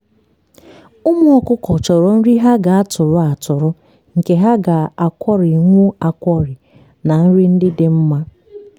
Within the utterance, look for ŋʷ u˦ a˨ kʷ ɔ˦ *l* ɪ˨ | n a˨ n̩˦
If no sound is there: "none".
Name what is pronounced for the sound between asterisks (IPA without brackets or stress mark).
ɾ